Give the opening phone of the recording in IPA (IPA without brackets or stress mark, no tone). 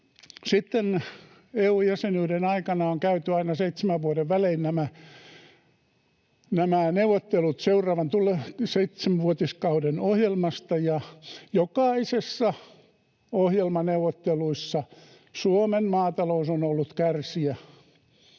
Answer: s